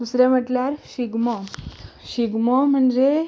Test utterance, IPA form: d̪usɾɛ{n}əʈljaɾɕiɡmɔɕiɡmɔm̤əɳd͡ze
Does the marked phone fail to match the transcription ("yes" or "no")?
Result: yes